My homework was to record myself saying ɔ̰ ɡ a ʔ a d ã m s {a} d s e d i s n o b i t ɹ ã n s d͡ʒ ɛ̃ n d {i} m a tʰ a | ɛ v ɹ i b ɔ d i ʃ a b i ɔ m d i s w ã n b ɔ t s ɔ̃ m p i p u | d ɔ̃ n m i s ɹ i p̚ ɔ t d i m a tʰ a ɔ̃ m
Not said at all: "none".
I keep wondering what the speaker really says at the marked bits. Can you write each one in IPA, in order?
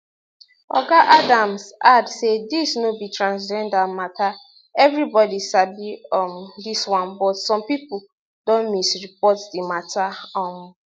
a, a

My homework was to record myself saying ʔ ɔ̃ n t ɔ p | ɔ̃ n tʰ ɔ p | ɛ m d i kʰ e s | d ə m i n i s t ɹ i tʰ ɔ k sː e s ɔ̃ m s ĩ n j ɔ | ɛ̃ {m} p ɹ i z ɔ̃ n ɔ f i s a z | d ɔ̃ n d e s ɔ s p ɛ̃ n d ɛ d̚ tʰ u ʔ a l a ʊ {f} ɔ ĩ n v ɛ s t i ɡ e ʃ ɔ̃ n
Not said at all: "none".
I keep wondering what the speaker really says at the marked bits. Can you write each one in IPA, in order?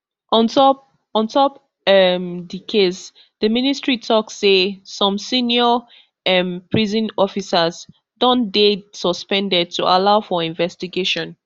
m, f

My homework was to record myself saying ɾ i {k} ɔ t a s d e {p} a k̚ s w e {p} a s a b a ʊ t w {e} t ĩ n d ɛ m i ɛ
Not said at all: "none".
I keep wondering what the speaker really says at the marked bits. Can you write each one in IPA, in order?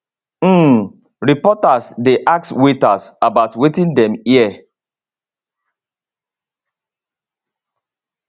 p, ʔ, t, e

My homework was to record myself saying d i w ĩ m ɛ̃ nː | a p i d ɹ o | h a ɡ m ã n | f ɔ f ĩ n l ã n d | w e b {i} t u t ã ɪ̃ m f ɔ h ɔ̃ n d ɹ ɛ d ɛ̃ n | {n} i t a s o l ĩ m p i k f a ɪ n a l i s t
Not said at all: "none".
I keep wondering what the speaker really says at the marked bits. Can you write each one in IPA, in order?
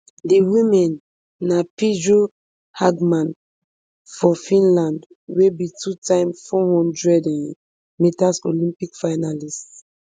i, m

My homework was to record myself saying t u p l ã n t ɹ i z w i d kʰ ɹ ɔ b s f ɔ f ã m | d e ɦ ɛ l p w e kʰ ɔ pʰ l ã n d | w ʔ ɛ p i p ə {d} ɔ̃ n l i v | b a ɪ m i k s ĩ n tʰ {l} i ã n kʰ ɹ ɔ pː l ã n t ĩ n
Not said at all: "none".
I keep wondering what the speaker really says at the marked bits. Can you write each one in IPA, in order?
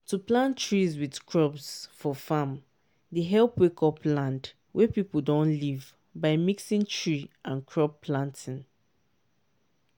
d, ɹ

